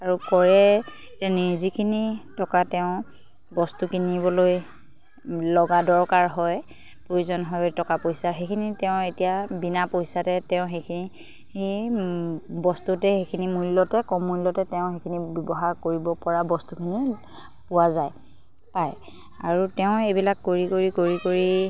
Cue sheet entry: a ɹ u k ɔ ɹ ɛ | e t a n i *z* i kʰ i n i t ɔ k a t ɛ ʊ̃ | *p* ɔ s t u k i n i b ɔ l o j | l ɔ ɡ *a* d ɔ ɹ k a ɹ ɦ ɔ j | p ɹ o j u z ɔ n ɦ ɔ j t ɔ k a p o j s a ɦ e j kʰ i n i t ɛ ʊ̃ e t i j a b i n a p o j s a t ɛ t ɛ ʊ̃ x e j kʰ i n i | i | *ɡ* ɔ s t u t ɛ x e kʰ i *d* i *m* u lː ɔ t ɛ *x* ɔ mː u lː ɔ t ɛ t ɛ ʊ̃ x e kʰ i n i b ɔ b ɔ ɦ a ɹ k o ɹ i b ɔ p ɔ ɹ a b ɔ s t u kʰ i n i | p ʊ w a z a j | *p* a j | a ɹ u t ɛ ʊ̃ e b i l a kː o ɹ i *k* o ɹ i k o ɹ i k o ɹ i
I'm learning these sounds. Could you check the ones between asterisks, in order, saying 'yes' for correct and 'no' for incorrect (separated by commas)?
yes, no, yes, no, no, yes, no, yes, yes